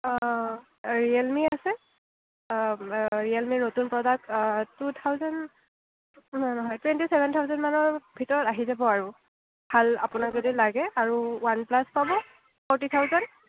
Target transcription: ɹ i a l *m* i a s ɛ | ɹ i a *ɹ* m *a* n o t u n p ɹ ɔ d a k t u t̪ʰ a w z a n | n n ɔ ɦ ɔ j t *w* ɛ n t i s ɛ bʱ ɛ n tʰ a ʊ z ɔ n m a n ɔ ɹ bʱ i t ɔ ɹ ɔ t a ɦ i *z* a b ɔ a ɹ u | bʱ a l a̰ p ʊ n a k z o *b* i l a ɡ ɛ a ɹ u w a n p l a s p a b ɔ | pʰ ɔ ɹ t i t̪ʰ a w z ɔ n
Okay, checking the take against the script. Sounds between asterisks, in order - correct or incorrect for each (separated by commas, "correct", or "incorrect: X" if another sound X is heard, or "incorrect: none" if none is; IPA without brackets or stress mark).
correct, incorrect: l, incorrect: i, correct, correct, incorrect: d